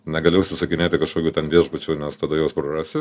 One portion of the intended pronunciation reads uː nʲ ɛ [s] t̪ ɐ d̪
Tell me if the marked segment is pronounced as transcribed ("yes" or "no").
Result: yes